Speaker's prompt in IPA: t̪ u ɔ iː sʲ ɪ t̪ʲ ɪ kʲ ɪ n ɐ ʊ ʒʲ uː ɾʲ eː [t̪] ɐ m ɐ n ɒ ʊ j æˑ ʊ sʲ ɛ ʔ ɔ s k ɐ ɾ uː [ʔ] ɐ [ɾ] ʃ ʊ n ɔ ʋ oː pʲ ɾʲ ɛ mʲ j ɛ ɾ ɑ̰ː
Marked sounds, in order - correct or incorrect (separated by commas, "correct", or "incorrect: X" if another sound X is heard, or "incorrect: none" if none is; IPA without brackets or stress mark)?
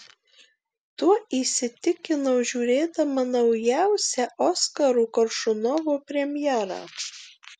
incorrect: d̪, incorrect: k, correct